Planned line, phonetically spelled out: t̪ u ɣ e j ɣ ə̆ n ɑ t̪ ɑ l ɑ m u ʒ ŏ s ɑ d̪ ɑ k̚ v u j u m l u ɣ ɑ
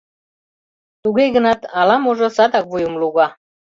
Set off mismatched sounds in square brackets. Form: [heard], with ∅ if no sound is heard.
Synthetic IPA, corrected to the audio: t̪ u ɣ e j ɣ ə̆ n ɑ t̪ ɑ l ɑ m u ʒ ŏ s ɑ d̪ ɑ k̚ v u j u m l u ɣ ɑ